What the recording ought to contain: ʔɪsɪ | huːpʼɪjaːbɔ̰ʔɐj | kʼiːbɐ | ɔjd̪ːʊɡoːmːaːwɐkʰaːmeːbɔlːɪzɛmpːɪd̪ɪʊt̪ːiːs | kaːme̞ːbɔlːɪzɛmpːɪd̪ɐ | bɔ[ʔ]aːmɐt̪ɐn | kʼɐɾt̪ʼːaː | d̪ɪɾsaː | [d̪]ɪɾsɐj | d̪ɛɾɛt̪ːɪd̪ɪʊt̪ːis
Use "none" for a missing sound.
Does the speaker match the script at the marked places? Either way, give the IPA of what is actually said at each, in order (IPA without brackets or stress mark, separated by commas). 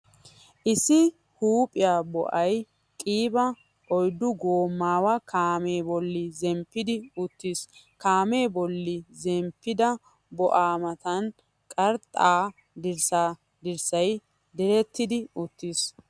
ʔ, d̪